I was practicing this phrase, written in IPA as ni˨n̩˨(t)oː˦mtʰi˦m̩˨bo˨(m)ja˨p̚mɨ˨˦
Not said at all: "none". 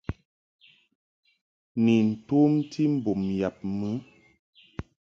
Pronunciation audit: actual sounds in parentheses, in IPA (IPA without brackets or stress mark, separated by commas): t, m